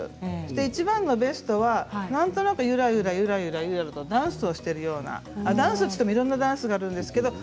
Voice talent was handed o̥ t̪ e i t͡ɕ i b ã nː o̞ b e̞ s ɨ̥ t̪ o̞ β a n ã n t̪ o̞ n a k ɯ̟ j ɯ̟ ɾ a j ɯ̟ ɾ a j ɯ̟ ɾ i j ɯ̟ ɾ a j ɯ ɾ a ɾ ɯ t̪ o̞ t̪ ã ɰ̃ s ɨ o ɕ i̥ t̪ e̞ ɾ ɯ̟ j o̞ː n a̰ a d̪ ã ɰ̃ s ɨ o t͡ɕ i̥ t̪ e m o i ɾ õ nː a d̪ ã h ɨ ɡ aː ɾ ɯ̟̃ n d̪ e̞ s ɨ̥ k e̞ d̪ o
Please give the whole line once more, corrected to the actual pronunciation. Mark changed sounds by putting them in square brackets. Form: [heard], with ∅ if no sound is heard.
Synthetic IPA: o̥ t̪ e i t͡ɕ i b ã nː o̞ b e̞ s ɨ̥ t̪ o̞ β a n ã n t̪ o̞ n a k ɯ̟ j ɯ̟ ɾ a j ɯ̟ ɾ a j ɯ̟ ɾ [a] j ɯ̟ ɾ a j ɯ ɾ a ɾ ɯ t̪ o̞ [d̪] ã ɰ̃ s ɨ o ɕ i̥ t̪ e̞ ɾ ɯ̟ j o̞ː n a̰ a d̪ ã ɰ̃ s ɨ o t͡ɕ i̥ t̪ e m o i ɾ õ nː a d̪ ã [s] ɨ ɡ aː ɾ ɯ̟̃ n d̪ e̞ s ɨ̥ k e̞ d̪ o